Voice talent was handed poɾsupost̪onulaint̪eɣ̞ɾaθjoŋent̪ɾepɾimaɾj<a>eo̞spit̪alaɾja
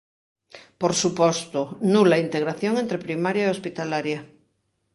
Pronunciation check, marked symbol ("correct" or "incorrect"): correct